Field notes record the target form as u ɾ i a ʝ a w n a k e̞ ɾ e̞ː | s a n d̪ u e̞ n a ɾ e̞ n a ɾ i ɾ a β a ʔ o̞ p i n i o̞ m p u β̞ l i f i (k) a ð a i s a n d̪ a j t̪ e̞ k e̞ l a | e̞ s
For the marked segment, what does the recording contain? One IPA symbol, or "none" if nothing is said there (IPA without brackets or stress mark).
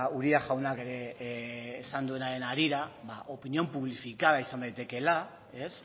k